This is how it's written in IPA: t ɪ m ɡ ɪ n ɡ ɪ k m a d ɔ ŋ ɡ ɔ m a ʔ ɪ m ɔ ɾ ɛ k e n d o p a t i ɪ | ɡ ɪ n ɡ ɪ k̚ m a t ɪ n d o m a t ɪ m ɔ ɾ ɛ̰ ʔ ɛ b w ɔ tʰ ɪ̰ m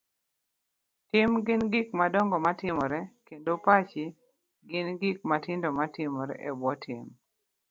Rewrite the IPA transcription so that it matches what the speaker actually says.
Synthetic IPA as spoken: t ɪ m ɡ ɪ n ɡ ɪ k m a d ɔ ŋ ɡ ɔ m a t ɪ m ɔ ɾ ɛ k e n d o p a t͡ʃ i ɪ | ɡ ɪ n ɡ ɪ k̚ m a t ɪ n d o m a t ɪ m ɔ ɾ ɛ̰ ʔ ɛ b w ɔ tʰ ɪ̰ m